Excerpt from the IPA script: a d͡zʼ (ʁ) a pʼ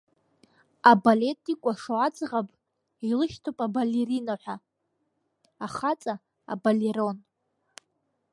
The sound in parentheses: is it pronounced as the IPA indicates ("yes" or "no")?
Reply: yes